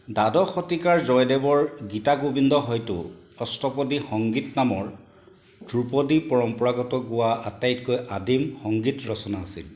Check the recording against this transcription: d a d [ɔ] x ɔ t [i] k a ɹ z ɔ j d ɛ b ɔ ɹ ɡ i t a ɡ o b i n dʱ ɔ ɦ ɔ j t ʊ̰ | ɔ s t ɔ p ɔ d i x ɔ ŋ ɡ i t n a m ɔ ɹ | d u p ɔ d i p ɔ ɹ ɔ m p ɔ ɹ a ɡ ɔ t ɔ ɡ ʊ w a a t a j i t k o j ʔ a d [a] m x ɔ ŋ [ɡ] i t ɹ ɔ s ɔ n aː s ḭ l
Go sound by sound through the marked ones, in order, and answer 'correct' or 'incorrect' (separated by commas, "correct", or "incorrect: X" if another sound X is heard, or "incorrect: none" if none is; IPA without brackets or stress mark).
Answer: correct, correct, incorrect: i, correct